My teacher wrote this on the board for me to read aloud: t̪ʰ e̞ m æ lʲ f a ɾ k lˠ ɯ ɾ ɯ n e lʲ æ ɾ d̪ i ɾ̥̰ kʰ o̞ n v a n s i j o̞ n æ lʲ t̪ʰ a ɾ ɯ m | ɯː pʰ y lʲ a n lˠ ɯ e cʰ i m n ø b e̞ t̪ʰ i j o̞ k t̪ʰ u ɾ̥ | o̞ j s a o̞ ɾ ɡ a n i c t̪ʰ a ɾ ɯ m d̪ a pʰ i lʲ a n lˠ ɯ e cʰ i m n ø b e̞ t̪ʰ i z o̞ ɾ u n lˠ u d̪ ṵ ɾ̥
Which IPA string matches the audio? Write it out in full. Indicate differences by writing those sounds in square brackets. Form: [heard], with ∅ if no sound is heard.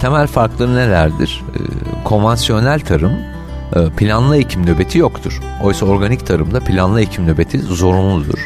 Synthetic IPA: t̪ʰ e̞ m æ lʲ f a ɾ k lˠ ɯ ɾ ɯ n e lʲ æ ɾ d̪ i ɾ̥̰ kʰ o̞ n v a n s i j o̞ n æ lʲ t̪ʰ a ɾ ɯ m | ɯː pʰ [i] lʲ a n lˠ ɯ e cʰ i m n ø b e̞ t̪ʰ i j o̞ k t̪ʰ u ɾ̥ | o̞ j s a o̞ ɾ ɡ a n i c t̪ʰ a ɾ ɯ m d̪ a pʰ i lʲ a n lˠ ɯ e cʰ i m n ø b e̞ t̪ʰ i z o̞ ɾ u n lˠ u d̪ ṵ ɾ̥